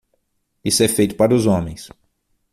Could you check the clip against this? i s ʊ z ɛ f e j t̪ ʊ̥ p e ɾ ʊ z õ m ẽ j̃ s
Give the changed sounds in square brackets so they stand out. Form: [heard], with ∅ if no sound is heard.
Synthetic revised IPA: i s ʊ [∅] ɛ f e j t̪ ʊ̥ p [a] ɾ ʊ z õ m ẽ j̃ s